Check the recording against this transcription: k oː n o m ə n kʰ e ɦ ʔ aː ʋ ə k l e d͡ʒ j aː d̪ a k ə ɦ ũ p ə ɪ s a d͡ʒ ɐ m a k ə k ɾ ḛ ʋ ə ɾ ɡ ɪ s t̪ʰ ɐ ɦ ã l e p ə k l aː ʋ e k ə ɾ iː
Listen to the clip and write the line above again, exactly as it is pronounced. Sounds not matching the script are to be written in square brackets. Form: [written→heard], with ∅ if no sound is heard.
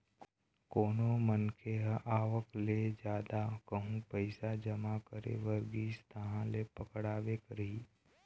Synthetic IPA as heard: k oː n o m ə n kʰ e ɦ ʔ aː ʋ ə k l e d͡ʒ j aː d̪ a k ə ɦ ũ p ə ɪ s a d͡ʒ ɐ m a k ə [k→∅] ɾ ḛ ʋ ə ɾ ɡ [ɪ→i] s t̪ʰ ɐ ɦ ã l e p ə k [l→ɽ] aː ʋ e k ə ɾ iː